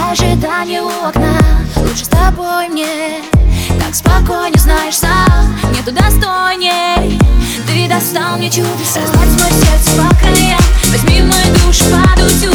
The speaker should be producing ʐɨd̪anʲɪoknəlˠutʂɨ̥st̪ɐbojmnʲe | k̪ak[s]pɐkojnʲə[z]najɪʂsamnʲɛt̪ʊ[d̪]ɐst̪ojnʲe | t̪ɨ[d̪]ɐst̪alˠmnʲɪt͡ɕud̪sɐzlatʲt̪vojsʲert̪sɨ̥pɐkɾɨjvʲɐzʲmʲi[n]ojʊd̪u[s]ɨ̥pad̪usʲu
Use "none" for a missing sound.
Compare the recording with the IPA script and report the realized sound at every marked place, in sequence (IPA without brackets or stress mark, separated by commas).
s, z, d̪, d̪, m, ʂ